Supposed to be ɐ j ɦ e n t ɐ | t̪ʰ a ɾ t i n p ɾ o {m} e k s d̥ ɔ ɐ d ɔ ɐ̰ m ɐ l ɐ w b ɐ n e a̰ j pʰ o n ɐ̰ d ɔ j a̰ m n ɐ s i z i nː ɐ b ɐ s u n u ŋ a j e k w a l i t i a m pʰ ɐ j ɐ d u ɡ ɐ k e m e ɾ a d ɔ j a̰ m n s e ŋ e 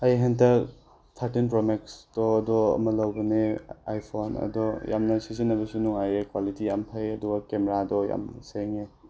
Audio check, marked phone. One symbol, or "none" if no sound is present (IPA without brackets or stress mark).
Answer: m